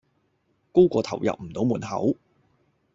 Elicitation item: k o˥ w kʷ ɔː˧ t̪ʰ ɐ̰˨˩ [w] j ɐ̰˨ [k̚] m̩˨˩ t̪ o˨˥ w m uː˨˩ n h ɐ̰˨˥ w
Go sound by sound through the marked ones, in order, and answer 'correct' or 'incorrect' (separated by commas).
correct, incorrect